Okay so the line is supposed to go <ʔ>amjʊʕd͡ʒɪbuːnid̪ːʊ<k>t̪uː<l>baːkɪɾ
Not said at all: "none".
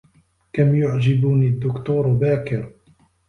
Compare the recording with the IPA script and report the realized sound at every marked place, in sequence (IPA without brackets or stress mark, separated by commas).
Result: k, k, ɾ